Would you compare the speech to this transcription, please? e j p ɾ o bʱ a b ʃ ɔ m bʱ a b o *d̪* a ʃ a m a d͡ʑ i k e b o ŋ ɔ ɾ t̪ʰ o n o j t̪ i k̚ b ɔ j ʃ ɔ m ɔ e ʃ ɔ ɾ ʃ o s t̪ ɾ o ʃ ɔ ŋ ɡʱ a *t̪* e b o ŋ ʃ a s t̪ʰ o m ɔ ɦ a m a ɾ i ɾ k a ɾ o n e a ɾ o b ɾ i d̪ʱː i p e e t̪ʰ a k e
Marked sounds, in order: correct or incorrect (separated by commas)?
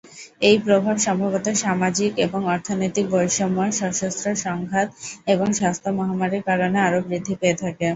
incorrect, correct